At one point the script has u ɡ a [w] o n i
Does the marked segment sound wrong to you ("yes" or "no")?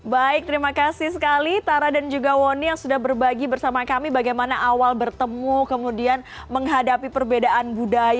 no